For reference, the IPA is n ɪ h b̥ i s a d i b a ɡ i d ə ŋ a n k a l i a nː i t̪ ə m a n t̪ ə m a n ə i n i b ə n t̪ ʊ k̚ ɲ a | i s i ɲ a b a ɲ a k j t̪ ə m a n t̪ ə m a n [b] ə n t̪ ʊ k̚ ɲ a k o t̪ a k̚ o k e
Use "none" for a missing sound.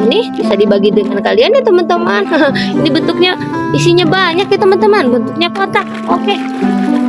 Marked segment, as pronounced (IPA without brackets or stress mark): b